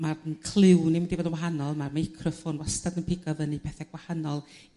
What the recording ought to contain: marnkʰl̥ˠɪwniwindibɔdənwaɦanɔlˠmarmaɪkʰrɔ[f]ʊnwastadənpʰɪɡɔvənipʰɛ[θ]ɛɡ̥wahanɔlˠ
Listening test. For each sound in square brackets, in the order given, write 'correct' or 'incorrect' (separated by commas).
correct, correct